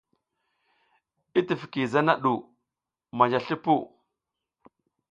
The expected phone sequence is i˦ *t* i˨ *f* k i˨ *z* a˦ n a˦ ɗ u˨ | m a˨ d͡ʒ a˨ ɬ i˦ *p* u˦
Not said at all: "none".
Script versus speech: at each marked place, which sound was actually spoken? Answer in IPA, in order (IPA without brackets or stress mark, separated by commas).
t, f, z, p